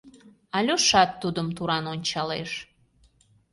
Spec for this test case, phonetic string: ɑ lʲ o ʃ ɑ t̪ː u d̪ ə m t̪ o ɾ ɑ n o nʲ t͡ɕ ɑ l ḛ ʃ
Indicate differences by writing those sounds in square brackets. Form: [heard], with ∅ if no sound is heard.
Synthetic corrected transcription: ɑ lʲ o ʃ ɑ t̪ː u d̪ ə m t̪ [u] ɾ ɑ n o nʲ t͡ɕ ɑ l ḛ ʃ